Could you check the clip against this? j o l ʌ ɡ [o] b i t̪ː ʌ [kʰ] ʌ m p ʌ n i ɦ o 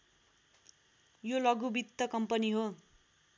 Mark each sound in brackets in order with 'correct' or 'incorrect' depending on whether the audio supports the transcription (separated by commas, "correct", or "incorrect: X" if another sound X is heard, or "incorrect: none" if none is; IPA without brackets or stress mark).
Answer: incorrect: u, incorrect: k